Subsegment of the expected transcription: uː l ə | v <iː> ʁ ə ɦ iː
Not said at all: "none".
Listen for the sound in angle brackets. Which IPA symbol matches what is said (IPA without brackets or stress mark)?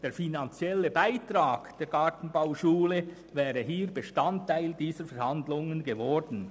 ɛː